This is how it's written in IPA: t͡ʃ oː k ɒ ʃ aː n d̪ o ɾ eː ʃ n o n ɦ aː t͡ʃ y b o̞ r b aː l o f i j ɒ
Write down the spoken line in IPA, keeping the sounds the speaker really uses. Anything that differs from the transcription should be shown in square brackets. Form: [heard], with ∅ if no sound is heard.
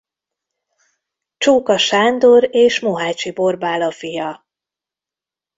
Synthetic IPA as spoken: t͡ʃ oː k ɒ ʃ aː n d̪ o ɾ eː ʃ [m] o [∅] ɦ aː t͡ʃ [i] b o̞ r b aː l [ɒ] f i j ɒ